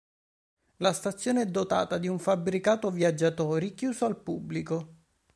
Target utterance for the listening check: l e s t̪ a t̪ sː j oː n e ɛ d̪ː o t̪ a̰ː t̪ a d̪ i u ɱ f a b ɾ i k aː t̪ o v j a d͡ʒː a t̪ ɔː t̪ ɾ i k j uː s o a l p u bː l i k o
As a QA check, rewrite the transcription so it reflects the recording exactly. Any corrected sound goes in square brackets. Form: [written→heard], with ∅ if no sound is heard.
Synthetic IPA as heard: l [e→a] s t̪ a t̪ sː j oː n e ɛ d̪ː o t̪ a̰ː t̪ a d̪ i u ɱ f a b ɾ i k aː t̪ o v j a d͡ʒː a t̪ ɔː [t̪→∅] ɾ i k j uː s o a l p u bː l i k o